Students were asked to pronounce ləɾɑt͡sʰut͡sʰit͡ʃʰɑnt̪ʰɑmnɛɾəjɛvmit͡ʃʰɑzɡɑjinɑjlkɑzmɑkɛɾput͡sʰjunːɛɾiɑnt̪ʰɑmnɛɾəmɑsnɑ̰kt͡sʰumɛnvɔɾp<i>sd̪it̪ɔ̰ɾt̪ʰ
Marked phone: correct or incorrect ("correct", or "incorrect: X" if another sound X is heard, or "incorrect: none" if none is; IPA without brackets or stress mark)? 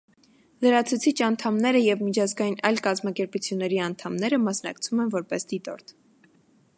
incorrect: ɛ